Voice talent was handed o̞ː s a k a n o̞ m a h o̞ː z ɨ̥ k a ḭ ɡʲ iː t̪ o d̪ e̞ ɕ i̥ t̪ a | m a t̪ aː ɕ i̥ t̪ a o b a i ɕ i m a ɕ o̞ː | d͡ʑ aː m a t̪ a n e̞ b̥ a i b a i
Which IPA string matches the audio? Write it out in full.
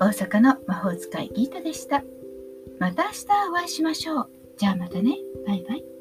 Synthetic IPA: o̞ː s a k a n o̞ m a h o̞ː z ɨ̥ k a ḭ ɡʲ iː t̪ o d̪ e̞ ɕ i̥ t̪ a | m a t̪ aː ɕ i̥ t̪ a o β a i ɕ i m a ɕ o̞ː | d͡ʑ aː m a t̪ a n e̞ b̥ a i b a i